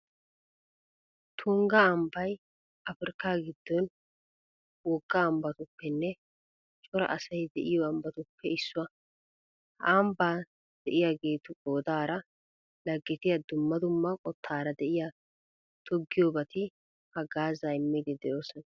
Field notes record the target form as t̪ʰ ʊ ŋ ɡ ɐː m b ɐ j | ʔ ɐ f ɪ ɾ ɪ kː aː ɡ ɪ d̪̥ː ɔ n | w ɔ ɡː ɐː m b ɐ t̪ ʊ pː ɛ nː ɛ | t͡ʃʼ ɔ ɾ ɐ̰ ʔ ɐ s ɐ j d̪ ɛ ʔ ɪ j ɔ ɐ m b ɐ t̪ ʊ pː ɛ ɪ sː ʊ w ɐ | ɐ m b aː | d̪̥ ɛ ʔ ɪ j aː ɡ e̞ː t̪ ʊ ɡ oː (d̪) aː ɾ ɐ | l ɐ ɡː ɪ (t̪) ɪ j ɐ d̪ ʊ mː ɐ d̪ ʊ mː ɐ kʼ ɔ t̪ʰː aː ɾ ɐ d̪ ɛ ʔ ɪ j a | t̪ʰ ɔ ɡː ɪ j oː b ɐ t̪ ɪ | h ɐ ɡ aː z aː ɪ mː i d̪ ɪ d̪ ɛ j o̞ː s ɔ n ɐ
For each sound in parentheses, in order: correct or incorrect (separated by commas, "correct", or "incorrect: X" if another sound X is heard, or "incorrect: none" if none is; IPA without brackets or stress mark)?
correct, correct